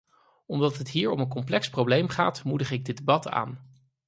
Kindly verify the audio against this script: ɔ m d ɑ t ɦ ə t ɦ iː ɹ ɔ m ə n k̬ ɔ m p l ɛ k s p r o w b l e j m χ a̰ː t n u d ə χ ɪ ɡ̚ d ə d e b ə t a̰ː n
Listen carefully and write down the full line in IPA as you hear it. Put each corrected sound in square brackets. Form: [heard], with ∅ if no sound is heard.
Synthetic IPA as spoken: ɔ m d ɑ t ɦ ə t ɦ iː ɹ ɔ m ə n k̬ ɔ m p l ɛ k s p r o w b l e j m χ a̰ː t [m] u d ə χ ɪ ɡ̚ d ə d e b [ɑ] t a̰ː n